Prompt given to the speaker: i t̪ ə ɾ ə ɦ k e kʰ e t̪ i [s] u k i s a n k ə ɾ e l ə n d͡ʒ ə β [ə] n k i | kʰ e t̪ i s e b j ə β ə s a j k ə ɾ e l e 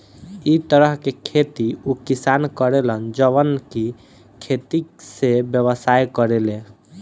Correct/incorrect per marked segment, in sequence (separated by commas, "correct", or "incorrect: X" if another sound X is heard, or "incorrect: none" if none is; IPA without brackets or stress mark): incorrect: none, correct